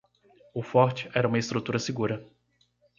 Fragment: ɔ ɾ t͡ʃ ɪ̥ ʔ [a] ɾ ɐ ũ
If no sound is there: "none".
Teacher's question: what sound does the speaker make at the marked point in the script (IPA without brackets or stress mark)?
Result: ɛ